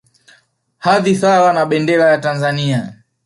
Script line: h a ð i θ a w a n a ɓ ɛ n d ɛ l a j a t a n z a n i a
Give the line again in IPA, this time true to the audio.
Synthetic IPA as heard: h a ð i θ a w a n a ɓ ɛ n d ɛ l a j a t a n z a n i a